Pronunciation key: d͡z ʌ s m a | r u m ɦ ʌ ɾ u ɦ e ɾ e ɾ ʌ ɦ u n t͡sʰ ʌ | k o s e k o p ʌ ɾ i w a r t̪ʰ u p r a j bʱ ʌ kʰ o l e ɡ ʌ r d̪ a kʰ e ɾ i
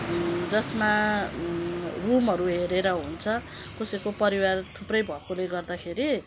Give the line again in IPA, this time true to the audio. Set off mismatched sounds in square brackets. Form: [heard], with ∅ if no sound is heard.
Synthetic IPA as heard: d͡z ʌ s m a | r u m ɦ ʌ ɾ u ɦ e ɾ e ɾ ʌ ɦ u n t͡sʰ ʌ | k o s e k o p ʌ ɾ i w a r t̪ʰ u p r [ʌ] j bʱ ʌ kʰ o l e ɡ ʌ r d̪ a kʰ e ɾ i